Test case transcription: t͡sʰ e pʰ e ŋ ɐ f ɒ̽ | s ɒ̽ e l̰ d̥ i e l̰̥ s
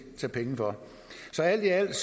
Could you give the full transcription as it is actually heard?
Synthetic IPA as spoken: t͡sʰ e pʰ e ŋ ə f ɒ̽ | s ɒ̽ æ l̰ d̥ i æ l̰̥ s